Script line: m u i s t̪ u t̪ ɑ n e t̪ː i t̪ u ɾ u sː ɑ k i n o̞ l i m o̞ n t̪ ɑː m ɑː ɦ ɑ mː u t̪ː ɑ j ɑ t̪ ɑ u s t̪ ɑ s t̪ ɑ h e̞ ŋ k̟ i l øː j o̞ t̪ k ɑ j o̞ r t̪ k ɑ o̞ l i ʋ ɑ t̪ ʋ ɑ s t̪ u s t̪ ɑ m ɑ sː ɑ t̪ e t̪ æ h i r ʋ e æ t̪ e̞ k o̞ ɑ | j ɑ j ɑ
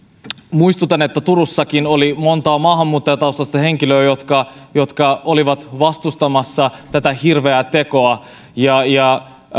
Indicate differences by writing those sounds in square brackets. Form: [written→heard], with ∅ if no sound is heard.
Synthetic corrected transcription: m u i s t̪ u t̪ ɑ n e t̪ː [i→æ] t̪ u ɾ u sː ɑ k i n o̞ l i m o̞ n t̪ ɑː m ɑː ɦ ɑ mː [u→uː] t̪ː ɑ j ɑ t̪ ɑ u s t̪ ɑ s t̪ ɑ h e̞ ŋ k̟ i l øː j o̞ t̪ k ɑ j o̞ [r→∅] t̪ k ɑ o̞ l i ʋ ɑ t̪ ʋ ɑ s t̪ u s t̪ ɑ m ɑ sː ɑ t̪ [e→æ] t̪ æ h i r ʋ e æ t̪ e̞ k o̞ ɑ | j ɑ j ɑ